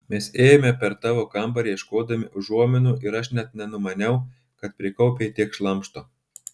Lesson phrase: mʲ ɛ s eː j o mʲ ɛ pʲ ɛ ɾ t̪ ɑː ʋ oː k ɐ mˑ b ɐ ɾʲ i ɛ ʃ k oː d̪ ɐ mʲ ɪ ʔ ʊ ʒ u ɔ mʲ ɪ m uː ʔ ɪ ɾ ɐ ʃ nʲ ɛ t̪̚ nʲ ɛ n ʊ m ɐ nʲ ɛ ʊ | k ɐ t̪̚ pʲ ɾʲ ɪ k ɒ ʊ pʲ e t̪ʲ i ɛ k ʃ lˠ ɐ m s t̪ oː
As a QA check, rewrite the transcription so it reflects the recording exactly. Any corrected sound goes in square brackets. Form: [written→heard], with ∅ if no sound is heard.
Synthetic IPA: mʲ ɛ s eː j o mʲ ɛ pʲ ɛ ɾ t̪ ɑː ʋ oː k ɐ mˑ b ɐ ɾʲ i ɛ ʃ k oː d̪ ɐ mʲ ɪ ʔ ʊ ʒ u ɔ mʲ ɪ [m→n] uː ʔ ɪ ɾ ɐ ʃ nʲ ɛ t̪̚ nʲ ɛ n ʊ m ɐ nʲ ɛ ʊ | k ɐ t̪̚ pʲ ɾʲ ɪ k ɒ ʊ pʲ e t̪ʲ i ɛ k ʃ lˠ ɐ m [s→ʃ] t̪ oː